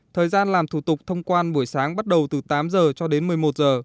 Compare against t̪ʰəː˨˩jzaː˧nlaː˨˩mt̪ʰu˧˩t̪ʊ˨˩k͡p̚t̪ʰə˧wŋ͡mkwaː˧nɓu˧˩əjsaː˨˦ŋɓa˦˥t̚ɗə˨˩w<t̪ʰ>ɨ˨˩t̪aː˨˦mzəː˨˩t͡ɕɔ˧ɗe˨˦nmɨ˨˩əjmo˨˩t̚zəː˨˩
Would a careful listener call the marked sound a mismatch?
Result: yes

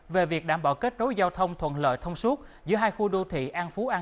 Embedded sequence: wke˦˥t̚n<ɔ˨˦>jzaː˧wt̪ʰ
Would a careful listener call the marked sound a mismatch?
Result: yes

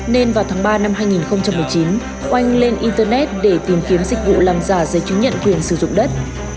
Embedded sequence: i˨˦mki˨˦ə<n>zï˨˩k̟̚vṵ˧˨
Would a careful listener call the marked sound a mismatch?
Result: yes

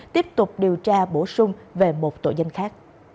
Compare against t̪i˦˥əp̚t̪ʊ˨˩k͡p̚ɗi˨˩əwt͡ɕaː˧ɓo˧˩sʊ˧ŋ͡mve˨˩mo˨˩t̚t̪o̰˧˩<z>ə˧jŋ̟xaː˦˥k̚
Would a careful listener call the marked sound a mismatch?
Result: no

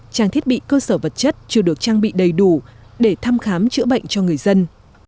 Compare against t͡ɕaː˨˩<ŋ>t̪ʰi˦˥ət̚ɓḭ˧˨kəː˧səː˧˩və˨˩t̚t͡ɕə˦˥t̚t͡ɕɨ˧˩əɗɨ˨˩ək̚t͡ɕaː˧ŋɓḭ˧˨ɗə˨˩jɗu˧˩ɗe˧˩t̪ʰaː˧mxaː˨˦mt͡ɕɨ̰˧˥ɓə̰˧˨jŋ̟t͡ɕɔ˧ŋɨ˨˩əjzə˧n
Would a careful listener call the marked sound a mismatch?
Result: no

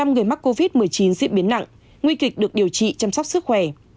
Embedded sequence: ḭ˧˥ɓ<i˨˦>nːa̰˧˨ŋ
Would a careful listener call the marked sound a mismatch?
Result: no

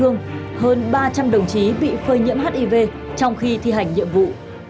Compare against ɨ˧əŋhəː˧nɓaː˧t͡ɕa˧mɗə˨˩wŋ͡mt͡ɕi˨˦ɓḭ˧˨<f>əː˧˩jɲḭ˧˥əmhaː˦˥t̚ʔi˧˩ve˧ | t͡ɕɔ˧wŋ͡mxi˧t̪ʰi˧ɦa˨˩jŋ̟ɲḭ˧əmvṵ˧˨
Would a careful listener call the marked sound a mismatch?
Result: no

